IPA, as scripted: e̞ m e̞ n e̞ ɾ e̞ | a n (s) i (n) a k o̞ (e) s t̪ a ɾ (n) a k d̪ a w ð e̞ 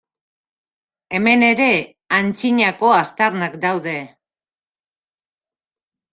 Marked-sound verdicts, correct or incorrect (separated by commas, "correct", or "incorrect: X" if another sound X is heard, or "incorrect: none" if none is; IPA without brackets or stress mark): incorrect: t͡s, incorrect: ɲ, incorrect: a, correct